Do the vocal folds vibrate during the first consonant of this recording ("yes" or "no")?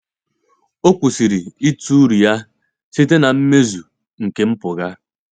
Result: no